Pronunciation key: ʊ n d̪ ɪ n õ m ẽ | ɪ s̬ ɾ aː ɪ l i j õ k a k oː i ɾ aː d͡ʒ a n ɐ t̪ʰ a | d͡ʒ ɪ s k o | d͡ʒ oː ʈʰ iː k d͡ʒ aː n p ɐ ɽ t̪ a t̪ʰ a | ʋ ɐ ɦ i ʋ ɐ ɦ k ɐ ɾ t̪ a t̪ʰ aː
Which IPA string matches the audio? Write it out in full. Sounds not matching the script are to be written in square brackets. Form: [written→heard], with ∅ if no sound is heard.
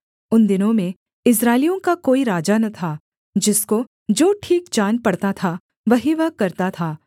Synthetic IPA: ʊ n d̪ ɪ n õ m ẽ | ɪ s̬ ɾ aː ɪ l i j õ k a k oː i ɾ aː d͡ʒ a n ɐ t̪ʰ a | d͡ʒ ɪ s k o | d͡ʒ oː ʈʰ iː k d͡ʒ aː n p ɐ ɽ t̪ a t̪ʰ a | ʋ ɐ ɦ i ʋ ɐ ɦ k ɐ ɾ t̪ a t̪ʰ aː